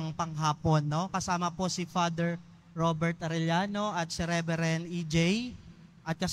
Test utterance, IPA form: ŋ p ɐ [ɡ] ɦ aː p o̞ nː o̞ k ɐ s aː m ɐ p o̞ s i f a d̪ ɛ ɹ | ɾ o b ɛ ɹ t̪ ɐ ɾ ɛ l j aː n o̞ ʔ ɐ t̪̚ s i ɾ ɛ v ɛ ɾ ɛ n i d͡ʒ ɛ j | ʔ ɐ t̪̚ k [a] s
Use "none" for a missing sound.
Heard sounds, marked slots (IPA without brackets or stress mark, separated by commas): ŋ, ɐ